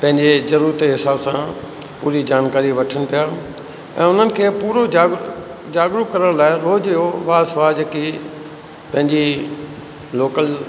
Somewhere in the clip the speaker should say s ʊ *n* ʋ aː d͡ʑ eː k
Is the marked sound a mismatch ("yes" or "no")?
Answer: yes